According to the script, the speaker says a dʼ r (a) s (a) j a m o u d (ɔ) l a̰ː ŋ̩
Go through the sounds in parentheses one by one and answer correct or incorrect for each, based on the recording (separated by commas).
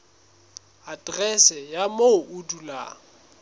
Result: incorrect, incorrect, incorrect